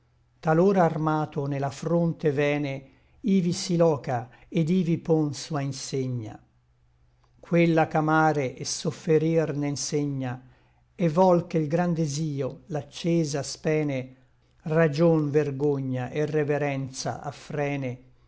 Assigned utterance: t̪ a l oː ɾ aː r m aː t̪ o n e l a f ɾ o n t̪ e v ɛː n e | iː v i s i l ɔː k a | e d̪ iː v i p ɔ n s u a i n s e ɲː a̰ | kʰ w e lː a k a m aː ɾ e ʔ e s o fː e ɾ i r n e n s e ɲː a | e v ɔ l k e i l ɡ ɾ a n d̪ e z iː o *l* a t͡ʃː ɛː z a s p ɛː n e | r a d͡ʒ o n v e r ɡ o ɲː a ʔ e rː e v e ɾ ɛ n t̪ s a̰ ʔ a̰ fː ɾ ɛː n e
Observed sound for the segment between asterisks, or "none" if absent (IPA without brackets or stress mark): l